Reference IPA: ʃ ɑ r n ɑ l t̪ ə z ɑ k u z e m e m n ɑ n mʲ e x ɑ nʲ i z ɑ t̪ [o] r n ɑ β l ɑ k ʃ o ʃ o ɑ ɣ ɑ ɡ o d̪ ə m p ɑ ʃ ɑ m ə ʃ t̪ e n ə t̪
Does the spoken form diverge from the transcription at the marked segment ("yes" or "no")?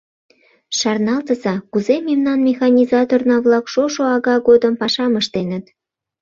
no